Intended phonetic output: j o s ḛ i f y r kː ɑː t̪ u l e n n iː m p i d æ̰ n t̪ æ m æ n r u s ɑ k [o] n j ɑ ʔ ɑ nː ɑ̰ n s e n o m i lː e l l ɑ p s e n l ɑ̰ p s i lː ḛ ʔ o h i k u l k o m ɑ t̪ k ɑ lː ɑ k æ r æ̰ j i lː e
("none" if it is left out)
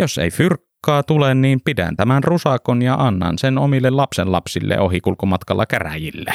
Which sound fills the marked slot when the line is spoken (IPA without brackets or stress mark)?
o